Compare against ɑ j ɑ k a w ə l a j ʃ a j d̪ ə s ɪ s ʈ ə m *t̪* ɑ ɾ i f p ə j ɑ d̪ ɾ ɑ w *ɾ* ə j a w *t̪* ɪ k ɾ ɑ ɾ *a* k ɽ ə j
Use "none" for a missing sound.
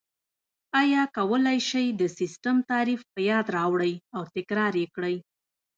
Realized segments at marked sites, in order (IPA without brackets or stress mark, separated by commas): t̪, ɽ, t̪, e